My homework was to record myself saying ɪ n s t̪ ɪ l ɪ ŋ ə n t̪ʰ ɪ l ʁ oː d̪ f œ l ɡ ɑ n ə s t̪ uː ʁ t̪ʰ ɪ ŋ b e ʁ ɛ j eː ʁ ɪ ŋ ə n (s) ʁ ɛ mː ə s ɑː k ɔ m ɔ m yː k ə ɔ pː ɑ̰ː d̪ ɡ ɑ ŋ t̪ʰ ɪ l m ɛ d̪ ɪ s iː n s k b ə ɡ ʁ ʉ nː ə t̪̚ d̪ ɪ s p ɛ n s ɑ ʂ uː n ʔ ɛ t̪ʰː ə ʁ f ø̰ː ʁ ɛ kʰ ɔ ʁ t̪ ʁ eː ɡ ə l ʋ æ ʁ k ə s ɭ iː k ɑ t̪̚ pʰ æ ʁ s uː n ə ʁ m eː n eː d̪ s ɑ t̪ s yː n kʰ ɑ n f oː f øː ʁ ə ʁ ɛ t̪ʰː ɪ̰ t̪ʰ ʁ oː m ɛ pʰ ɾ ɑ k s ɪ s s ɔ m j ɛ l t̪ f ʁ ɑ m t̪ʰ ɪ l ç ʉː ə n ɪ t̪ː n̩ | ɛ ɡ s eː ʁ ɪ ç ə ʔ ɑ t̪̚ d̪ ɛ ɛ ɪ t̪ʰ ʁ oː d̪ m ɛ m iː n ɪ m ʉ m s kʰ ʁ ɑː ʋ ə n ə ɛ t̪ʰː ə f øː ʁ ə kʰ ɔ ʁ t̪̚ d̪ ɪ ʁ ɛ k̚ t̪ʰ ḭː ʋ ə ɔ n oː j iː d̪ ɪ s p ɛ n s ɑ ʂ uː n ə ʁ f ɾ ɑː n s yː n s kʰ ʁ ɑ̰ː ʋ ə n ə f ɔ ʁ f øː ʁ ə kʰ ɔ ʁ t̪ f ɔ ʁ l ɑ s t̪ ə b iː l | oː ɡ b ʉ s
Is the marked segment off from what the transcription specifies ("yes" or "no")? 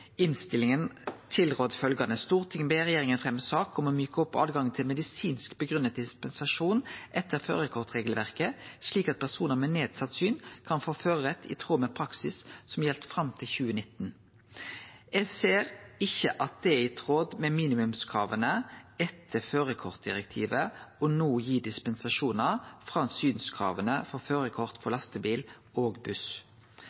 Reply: yes